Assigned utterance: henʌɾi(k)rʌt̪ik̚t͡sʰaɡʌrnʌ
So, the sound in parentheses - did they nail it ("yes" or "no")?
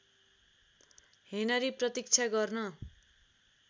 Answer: no